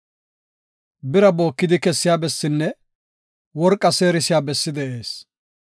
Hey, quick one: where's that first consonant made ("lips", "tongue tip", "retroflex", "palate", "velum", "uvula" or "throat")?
lips